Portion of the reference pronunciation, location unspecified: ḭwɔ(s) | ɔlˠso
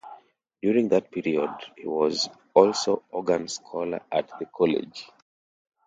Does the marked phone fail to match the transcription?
yes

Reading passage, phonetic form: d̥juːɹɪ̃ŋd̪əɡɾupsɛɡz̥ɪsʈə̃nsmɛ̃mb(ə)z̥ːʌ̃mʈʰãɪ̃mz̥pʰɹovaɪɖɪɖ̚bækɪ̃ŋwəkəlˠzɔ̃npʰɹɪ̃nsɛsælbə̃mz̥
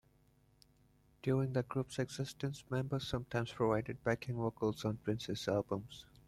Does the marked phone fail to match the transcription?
no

